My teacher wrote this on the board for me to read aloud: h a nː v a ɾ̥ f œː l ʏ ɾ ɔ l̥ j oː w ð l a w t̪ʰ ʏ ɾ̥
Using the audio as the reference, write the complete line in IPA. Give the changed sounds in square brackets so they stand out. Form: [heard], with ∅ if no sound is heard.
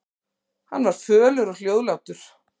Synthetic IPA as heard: h a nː v a ɾ̥ f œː l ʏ ɾ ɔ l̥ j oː w ð l a w [t̪] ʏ ɾ̥